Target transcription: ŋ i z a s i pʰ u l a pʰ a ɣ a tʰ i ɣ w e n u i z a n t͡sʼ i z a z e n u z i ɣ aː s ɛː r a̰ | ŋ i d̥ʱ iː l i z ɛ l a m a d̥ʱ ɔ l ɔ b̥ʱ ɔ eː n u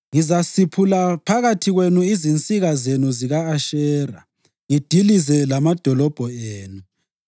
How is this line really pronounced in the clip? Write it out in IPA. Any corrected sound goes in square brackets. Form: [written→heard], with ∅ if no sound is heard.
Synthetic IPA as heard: ŋ i z a s i pʰ u l a pʰ a ɣ a tʰ i ɣ w e n u i z [a→i] n t͡sʼ i [z→ɣ] a z e n u z i ɣ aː [s→ʃ] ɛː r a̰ | ŋ i d̥ʱ [iː→i] l i z ɛ l a m a d̥ʱ ɔ l ɔ b̥ʱ ɔ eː n u